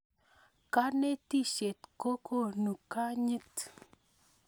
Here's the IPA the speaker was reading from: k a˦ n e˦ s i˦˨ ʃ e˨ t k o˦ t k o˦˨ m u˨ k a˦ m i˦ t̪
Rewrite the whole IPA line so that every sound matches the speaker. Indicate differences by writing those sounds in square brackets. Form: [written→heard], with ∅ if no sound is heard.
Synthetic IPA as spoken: k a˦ n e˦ [s→t] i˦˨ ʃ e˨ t k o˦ [t→∅] k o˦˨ [m→n] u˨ k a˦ [m→ɲ] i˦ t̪

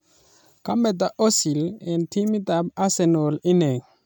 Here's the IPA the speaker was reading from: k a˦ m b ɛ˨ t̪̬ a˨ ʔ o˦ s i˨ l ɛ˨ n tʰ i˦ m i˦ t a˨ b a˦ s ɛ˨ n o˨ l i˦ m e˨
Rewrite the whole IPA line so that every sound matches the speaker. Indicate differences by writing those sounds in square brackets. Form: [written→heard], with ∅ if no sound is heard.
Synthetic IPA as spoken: k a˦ m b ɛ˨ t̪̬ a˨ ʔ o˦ s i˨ l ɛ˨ n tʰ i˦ m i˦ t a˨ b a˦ s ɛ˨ n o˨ l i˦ [m→n] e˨

